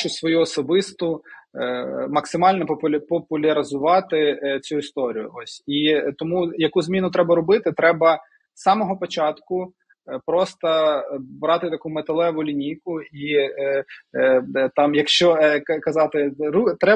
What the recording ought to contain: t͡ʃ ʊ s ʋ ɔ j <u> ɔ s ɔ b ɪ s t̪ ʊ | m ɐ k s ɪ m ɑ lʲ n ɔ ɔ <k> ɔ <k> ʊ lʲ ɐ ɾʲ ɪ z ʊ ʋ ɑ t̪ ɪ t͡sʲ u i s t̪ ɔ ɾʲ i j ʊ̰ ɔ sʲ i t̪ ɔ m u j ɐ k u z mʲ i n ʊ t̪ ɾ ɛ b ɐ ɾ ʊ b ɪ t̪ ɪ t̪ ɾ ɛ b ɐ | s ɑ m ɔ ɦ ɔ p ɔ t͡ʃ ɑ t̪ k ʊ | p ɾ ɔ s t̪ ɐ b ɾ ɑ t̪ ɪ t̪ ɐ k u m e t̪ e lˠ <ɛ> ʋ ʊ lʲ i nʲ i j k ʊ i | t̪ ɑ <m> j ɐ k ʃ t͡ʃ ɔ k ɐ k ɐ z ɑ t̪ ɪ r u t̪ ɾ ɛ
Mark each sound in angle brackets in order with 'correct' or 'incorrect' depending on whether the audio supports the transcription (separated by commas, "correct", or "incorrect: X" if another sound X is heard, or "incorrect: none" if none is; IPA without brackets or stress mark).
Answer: correct, incorrect: p, incorrect: p, correct, correct